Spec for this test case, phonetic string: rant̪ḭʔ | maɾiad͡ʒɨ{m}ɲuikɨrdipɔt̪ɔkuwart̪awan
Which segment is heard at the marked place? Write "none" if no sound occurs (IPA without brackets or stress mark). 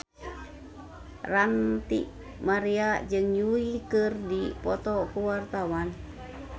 ŋ